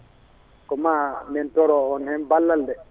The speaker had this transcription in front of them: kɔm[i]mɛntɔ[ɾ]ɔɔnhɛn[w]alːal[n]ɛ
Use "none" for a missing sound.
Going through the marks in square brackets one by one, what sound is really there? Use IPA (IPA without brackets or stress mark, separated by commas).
a, ɾ, b, d